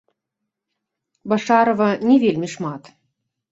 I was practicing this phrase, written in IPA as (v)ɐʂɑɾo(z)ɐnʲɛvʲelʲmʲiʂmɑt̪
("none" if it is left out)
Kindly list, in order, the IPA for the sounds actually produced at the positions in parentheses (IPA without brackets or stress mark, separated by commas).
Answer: b, v